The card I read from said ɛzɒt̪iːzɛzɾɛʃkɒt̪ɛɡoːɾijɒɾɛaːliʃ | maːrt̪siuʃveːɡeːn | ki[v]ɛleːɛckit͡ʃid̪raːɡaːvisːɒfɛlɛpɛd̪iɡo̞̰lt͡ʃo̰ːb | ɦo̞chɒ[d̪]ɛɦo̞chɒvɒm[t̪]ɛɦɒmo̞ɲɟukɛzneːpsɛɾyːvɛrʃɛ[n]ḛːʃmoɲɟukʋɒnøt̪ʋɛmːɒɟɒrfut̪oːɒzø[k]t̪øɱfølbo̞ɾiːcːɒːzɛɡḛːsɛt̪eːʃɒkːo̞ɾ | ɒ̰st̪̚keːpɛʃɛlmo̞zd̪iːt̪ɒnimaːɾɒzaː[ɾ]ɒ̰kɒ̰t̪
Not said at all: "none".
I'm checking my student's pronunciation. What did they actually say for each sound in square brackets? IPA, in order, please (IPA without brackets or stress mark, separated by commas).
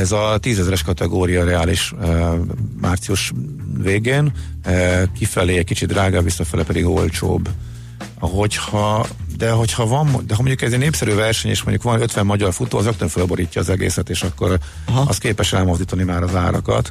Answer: f, d̪, d̪, ɲ, k, ɾ